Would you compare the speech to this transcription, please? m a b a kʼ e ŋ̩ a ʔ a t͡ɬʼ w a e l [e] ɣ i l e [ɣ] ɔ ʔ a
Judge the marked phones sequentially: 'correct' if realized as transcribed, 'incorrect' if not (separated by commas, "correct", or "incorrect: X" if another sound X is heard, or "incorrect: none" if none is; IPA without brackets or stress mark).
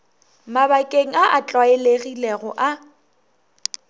correct, correct